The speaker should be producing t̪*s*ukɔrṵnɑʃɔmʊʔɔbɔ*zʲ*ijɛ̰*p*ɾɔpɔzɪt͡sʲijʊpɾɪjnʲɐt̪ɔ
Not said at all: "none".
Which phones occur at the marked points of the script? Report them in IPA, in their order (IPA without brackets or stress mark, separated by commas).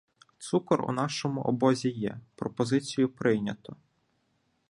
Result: s, zʲ, p